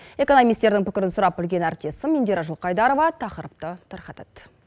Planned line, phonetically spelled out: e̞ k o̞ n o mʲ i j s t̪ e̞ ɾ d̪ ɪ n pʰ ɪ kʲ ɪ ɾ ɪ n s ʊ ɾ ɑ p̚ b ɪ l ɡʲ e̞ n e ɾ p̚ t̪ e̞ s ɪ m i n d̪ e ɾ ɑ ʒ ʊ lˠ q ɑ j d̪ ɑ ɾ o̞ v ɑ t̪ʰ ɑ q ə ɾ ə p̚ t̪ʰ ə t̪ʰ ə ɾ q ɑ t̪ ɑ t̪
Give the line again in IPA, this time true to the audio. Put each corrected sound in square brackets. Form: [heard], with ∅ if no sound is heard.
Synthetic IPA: e̞ k o̞ n o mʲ i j s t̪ e̞ ɾ d̪ ɪ [ŋ] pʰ ɪ kʲ ɪ ɾ ɪ n s ʊ ɾ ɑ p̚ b ɪ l ɡʲ e̞ n [æ] ɾ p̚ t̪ e̞ s ɪ m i n d̪ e ɾ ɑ ʒ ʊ lˠ q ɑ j d̪ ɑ ɾ o̞ v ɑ t̪ʰ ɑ q ə ɾ ə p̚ [t̪] ə t̪ʰ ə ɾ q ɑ t̪ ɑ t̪

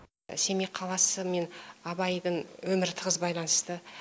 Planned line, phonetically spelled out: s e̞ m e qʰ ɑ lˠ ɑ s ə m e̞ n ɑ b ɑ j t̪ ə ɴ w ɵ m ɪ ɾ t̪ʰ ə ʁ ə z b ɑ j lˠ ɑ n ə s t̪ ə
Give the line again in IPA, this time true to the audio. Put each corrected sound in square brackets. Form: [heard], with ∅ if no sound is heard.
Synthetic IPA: s e̞ m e qʰ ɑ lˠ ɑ s ə m e̞ n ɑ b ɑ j [d̪] ə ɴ w ɵ m ɪ ɾ t̪ʰ ə ʁ ə z b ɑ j lˠ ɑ n ə s t̪ ə

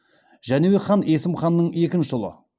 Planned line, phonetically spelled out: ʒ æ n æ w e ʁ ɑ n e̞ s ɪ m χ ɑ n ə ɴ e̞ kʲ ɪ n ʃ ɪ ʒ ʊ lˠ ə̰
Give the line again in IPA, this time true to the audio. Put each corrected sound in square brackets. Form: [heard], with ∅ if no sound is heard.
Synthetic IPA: ʒ æ n [e] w e [χ] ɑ n e̞ s ɪ m χ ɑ [nː] ə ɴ e̞ kʲ ɪ n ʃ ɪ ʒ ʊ lˠ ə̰

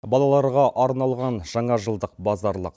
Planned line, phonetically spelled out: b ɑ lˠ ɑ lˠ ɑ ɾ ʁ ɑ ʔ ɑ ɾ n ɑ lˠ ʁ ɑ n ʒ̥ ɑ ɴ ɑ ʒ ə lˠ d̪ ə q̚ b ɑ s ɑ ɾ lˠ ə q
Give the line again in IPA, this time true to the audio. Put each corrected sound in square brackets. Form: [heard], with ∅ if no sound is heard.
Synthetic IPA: b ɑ lˠ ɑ lˠ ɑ ɾ ʁ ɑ ʔ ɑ ɾ n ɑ lˠ ʁ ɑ n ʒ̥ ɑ ɴ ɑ ʒ ə lˠ d̪ ə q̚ b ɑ [z] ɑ ɾ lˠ ə q

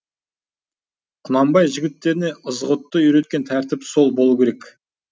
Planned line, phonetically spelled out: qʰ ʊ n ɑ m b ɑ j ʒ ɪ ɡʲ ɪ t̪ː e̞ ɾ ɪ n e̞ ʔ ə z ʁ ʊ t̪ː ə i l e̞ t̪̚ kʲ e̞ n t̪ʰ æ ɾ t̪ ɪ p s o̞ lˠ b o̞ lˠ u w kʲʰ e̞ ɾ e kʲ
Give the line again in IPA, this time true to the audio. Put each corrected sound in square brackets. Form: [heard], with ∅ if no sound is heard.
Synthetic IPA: qʰ ʊ n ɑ m b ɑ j ʒ ɪ ɡʲ ɪ t̪ː e̞ ɾ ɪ n e̞ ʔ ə z ʁ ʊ t̪ː ə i [ɾ] e̞ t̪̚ kʲ e̞ n t̪ʰ æ ɾ t̪ ɪ p s o̞ lˠ b o̞ lˠ u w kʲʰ e̞ ɾ e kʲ

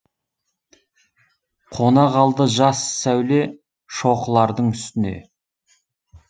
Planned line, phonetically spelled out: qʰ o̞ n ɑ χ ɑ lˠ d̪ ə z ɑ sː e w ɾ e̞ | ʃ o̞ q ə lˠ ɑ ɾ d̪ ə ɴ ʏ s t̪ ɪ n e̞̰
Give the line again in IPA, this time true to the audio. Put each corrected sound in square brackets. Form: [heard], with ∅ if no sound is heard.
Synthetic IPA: qʰ o̞ n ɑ [ʁ] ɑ lˠ d̪ ə [ʒ] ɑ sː [æ] w [l] e̞ | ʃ o̞ q ə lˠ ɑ ɾ d̪ ə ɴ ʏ s t̪ ɪ n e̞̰

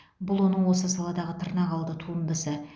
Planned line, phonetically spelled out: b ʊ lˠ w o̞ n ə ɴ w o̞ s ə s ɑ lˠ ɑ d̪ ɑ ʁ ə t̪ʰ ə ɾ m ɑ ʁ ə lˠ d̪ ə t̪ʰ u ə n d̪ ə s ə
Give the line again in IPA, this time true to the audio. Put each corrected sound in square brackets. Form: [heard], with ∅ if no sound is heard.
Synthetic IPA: b ʊ lˠ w o̞ n ə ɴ w o̞ s ə s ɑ lˠ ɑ d̪ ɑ ʁ ə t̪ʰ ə ɾ [n] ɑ ʁ [ɑ] lˠ d̪ ə t̪ʰ u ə n d̪ ə s ə

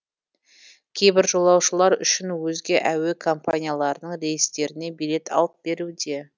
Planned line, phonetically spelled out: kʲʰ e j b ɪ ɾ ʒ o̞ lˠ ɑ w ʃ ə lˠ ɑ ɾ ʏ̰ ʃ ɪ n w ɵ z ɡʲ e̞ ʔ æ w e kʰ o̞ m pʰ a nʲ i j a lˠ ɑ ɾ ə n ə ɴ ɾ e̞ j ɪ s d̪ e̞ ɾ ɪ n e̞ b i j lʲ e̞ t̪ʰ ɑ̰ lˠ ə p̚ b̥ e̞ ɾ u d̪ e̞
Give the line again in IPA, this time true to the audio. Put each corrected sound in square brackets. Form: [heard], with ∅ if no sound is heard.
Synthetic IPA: kʲʰ e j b ɪ ɾ ʒ o̞ lˠ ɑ w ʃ ə lˠ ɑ ɾ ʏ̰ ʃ ɪ n w ɵ z ɡʲ e̞ ʔ æ w e kʰ o̞ m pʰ a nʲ i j a lˠ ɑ ɾ ə n ə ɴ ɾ e̞ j ɪ s [t̪] e̞ ɾ ɪ n e̞ b i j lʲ e̞ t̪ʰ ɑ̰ lˠ ə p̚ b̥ e̞ ɾ u d̪ e̞

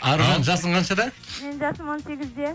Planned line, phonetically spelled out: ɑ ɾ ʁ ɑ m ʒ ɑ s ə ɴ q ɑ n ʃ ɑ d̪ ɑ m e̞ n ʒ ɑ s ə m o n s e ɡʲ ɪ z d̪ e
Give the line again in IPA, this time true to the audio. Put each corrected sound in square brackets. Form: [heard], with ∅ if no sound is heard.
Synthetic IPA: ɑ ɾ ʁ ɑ [n] ʒ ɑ s ə ɴ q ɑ n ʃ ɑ d̪ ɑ m e̞ n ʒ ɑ s ə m o n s e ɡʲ ɪ z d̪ e

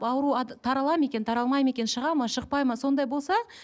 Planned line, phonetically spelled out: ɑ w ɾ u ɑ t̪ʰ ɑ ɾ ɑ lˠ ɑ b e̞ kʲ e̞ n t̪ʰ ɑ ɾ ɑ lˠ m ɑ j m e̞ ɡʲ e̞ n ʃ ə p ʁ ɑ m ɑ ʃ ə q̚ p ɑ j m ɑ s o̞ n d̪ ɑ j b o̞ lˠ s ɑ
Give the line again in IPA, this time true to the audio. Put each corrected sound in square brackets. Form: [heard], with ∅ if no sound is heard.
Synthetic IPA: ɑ w ɾ u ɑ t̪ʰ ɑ ɾ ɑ lˠ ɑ [m] e̞ kʲ e̞ n t̪ʰ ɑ ɾ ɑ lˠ m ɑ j m e̞ [kʲ] e̞ n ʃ ə [∅] ʁ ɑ m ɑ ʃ ə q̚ p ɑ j m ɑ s o̞ n d̪ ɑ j b o̞ lˠ s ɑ

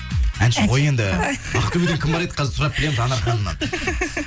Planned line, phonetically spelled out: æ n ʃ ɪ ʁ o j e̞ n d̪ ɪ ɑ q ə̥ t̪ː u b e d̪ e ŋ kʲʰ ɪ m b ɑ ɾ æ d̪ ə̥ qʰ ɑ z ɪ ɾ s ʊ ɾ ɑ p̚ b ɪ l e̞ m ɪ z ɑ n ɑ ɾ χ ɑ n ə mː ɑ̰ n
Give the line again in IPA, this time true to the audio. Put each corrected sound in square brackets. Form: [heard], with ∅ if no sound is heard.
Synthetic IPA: æ n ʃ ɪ ʁ o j e̞ n d̪ ɪ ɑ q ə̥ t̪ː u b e d̪ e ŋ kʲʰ ɪ m b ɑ ɾ [e] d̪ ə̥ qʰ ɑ z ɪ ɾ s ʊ ɾ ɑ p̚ b ɪ l e̞ m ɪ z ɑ n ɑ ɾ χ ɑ n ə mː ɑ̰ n

